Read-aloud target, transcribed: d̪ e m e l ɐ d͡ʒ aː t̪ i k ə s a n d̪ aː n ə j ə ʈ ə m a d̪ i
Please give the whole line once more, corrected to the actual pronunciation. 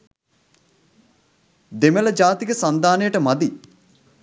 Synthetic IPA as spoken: d̪ e m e l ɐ d͡ʒ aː t̪ i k ə s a n d̪ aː n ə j ə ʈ ə m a d̪ i